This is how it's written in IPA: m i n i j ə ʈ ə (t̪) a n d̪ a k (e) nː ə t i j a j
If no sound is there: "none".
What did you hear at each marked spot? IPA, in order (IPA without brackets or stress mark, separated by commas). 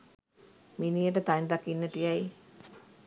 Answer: t̪, i